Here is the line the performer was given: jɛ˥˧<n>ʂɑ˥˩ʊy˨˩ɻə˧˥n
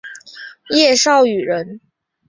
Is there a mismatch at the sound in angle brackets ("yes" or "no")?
yes